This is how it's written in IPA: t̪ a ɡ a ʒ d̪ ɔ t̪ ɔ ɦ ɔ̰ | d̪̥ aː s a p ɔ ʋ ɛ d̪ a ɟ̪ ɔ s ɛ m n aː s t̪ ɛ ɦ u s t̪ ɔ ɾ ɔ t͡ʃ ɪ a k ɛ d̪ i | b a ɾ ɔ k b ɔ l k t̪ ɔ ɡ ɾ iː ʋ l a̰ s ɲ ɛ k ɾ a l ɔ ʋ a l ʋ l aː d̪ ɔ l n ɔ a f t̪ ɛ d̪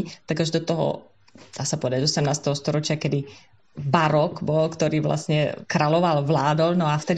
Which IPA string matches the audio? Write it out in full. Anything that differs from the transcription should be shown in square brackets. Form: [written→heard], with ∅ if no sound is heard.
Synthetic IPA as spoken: t̪ a ɡ a ʒ d̪ ɔ t̪ ɔ ɦ ɔ̰ | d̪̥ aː s a p ɔ ʋ ɛ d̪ a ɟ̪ ɔ s ɛ m n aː s t̪ ɛ ɦ [u→ɔ] s t̪ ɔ ɾ ɔ t͡ʃ ɪ a k ɛ d̪ i | b a ɾ ɔ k b ɔ l k t̪ ɔ [ɡ→∅] ɾ iː ʋ l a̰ s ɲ ɛ k ɾ a l ɔ ʋ a l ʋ l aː d̪ ɔ l n ɔ a f t̪ ɛ d̪